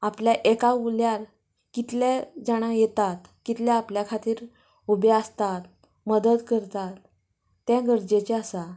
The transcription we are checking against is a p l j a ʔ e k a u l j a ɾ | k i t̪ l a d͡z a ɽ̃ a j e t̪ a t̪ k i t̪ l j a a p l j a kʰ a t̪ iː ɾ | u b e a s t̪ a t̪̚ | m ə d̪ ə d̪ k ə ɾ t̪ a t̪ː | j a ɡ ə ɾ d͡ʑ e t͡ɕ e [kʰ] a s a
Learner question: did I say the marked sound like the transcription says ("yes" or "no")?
no